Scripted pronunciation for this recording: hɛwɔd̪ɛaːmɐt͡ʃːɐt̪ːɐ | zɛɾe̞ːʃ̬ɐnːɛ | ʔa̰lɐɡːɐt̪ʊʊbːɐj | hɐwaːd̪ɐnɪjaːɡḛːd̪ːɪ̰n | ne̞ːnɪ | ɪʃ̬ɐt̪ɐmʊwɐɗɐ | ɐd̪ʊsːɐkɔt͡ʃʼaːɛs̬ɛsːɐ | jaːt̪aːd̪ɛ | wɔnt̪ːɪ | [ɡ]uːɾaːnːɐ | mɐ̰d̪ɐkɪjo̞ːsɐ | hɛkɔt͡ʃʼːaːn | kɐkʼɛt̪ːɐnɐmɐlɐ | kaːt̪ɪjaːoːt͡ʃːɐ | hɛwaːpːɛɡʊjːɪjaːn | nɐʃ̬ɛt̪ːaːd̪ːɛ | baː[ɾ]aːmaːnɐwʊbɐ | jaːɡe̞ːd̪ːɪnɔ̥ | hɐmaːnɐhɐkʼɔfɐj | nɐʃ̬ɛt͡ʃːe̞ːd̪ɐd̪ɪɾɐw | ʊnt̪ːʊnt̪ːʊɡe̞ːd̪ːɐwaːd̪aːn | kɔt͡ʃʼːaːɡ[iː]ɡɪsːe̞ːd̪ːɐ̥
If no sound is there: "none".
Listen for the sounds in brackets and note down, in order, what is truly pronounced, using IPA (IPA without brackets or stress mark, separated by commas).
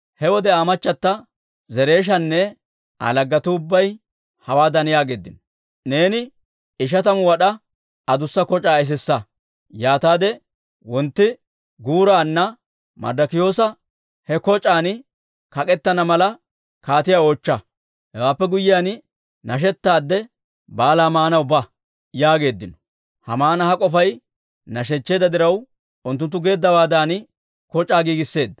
ɡ, l, iː